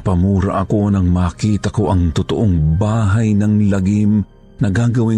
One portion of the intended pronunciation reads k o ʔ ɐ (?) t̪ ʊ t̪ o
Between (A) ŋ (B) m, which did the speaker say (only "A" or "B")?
A